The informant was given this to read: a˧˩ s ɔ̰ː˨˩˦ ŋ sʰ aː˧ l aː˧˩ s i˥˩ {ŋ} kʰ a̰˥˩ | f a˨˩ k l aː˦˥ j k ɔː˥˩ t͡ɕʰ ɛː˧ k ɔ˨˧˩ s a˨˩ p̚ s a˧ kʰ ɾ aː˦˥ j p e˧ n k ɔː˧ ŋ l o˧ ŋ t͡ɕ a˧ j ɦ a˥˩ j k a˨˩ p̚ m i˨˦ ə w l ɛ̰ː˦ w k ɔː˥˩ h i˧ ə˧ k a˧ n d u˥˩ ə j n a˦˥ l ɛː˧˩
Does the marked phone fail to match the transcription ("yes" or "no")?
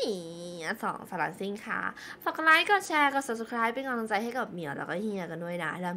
no